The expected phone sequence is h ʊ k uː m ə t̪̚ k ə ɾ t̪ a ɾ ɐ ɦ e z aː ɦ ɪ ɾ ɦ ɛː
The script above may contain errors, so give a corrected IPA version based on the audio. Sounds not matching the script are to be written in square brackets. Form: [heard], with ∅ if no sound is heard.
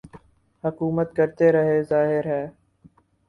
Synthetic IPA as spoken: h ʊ k uː m ə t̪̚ k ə ɾ t̪ [e] ɾ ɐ ɦ e z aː ɦ ɪ ɾ ɦ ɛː